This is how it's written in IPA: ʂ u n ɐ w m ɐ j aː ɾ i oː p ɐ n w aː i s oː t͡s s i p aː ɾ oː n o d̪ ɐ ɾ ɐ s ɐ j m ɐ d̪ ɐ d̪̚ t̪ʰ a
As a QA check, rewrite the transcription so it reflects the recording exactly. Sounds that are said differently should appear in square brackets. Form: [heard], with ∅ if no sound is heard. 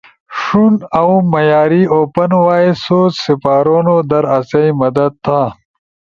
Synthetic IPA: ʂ u n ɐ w m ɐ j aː ɾ i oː p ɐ n w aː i s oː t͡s s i p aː ɾ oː n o d̪ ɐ ɾ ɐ s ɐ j m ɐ d̪ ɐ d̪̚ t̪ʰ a